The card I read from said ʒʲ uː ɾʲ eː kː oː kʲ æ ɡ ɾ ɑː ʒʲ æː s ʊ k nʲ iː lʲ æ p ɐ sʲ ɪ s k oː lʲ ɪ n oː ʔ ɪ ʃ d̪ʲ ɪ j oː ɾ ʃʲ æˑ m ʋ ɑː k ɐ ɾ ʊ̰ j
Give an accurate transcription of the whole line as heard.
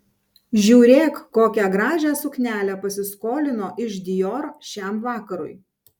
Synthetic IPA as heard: ʒʲ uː ɾʲ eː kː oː kʲ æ ɡ ɾ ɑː ʒʲ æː s ʊ k nʲ æː lʲ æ p ɐ sʲ ɪ s k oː lʲ ɪ n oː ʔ ɪ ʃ d̪ʲ ɪ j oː ɾ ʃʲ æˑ m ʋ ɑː k ɐ ɾ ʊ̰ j